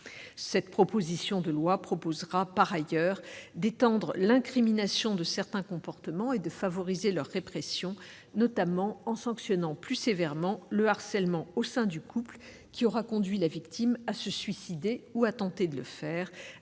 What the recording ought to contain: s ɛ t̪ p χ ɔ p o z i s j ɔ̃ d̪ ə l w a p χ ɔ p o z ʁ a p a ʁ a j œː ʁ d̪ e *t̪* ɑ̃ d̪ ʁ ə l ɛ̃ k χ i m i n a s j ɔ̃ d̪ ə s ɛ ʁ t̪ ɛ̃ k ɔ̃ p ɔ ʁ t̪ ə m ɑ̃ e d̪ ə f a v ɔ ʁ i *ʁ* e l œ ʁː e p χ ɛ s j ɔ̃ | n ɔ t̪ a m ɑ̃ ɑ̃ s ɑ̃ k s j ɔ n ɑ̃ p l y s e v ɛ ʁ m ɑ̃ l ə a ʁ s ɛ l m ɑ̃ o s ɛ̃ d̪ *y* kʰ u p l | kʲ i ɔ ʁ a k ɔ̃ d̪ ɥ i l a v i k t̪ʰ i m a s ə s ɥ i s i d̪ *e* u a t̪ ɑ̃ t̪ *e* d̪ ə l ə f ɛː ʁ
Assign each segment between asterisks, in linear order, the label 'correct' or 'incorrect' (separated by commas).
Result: correct, incorrect, correct, correct, correct